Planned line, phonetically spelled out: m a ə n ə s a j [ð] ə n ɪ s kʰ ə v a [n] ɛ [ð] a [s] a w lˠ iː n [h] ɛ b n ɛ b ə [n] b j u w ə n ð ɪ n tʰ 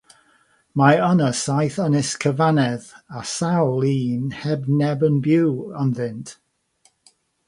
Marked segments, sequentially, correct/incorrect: incorrect: θ, correct, correct, correct, correct, correct

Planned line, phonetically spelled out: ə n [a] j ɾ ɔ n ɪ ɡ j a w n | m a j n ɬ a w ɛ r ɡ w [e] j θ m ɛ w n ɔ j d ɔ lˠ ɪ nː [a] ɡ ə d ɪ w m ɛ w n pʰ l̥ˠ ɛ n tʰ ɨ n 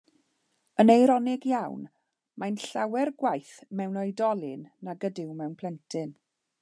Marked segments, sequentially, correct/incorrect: incorrect: e, incorrect: a, correct

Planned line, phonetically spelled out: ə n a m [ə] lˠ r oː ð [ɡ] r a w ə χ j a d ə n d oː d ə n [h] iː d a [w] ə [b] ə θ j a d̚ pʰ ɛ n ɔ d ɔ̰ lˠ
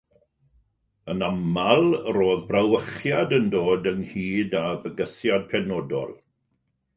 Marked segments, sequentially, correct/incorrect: incorrect: a, incorrect: b, correct, incorrect: v, incorrect: ɡ

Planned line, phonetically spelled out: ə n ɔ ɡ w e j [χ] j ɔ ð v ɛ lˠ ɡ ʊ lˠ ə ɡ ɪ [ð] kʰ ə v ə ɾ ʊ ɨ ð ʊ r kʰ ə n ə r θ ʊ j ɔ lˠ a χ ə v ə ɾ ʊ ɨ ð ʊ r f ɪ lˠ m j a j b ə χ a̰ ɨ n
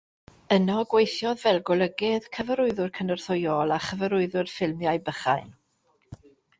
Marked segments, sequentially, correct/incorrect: incorrect: θ, correct

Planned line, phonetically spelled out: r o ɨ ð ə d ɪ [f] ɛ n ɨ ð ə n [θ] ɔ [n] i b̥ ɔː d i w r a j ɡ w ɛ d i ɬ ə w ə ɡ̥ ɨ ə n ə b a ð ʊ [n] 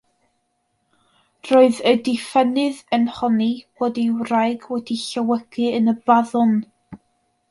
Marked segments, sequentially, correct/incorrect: correct, incorrect: h, correct, correct

